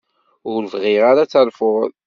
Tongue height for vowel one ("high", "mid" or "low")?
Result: high